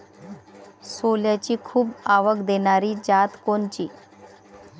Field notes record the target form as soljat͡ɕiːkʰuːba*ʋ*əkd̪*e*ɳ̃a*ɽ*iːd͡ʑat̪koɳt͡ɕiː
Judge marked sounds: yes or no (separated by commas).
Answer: yes, yes, no